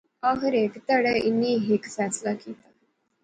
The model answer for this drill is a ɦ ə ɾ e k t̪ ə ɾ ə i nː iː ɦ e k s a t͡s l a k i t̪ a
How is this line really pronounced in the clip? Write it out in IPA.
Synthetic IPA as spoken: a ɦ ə ɾ e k t̪ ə ɽ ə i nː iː ɦ e k s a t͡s l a k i t̪ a